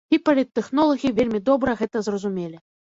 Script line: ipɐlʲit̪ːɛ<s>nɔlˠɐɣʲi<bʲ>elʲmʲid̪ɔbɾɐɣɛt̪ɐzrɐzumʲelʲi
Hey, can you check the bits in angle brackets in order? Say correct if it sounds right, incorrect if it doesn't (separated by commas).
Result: incorrect, incorrect